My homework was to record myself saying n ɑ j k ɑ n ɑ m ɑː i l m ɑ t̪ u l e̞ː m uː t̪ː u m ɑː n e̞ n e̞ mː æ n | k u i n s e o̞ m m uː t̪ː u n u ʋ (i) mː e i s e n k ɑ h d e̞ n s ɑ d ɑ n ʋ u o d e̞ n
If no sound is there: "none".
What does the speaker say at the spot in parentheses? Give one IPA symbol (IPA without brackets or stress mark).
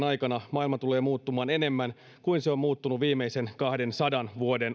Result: iː